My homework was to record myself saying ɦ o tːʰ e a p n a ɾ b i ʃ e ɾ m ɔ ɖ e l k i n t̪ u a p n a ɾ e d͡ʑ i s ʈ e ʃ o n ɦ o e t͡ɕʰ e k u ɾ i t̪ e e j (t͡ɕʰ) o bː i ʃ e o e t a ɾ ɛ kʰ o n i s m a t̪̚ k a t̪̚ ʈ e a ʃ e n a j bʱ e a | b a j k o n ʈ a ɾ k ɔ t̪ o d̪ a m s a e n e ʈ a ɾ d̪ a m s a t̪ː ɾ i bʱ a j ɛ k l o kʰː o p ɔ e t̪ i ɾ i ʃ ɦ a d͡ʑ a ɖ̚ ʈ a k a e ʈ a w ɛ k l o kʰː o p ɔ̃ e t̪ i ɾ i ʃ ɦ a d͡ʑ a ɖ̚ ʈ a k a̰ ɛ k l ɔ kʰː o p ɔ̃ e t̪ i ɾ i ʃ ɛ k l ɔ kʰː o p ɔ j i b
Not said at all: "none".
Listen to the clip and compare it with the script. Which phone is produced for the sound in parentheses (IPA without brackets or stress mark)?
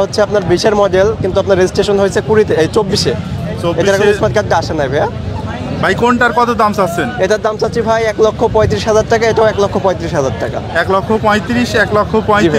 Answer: t͡ɕ